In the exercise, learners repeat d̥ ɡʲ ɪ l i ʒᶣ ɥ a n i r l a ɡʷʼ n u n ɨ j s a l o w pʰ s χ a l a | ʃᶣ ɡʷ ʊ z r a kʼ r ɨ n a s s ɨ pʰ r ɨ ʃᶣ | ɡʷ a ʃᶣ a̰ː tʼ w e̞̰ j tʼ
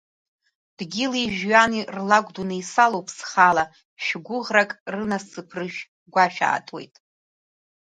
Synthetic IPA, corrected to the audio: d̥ ɡʲ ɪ l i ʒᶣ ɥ a n i r l a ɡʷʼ d u n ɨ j s a l o w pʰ s χ a l a | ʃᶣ ɡʷ ʊ ʁ r a kʼ r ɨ n a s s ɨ pʰ r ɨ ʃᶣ | ɡʷ a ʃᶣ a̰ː tʼ w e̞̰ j tʼ